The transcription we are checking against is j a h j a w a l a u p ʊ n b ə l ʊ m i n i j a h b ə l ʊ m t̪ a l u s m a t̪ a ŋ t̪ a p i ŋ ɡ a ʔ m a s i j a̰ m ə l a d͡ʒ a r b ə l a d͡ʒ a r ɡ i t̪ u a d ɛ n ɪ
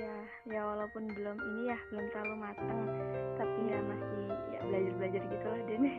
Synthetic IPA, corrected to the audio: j a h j a w a l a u p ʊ n b ə l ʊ m i n i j a h b ə l ʊ m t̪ a l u m a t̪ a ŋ t̪ a p i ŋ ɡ a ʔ m a s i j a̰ b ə l a d͡ʒ a r b ə l a d͡ʒ a r ɡ i t̪ u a d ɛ n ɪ